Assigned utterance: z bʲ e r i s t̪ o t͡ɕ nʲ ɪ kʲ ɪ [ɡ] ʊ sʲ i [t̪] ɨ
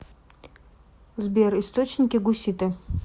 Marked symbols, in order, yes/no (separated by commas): yes, yes